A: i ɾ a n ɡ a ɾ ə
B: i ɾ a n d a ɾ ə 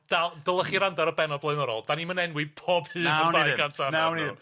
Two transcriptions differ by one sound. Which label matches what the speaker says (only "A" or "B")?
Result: B